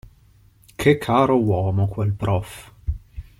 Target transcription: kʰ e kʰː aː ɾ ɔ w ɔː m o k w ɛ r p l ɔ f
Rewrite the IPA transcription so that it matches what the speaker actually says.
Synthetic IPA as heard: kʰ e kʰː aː ɾ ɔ w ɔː m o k w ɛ l p ɾ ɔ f